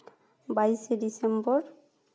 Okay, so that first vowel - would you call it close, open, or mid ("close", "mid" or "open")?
open